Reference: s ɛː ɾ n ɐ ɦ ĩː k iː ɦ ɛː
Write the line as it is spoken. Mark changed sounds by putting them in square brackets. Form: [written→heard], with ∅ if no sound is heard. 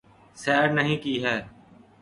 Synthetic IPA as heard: s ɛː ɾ n [ɐ→ə] ɦ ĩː k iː ɦ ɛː